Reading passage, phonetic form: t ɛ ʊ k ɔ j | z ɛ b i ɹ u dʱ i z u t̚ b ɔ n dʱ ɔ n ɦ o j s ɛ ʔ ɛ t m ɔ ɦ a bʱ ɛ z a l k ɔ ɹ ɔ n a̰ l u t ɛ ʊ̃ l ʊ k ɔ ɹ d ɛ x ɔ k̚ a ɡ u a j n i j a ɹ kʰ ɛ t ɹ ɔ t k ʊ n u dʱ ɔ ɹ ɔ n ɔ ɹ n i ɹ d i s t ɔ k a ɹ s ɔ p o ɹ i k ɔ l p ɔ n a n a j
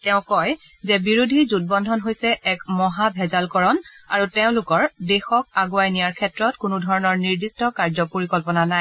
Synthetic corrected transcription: t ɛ ʊ̃ k ɔ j | z ɛ b i ɹ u dʱ i z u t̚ b ɔ n dʱ ɔ n ɦ o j s ɛ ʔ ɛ k m ɔ ɦ a bʱ ɛ z a l k ɔ ɹ ɔ n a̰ ɹ u t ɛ ʊ̃ l ʊ k ɔ ɹ d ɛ x ɔ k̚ a ɡ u a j n i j a ɹ kʰ ɛ t ɹ ɔ t k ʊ n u dʱ ɔ ɹ ɔ n ɔ ɹ n i ɹ d i s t ɔ k a ɹ z ɔ p o ɹ i k ɔ l p ɔ n a n a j